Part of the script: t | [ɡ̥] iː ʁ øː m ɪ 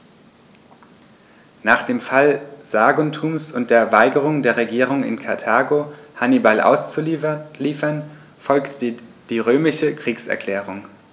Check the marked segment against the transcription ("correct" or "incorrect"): incorrect